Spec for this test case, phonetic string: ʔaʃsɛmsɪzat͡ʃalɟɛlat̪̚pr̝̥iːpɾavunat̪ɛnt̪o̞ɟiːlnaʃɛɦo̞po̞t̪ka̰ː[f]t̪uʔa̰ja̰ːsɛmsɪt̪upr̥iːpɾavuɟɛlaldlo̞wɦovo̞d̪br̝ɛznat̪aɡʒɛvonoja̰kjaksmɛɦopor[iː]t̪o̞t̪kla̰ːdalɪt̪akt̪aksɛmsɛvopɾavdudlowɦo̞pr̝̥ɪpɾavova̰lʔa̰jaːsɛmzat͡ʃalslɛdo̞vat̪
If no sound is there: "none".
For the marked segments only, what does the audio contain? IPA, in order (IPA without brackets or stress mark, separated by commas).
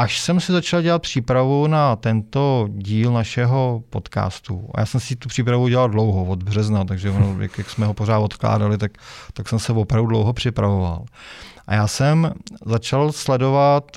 s, aː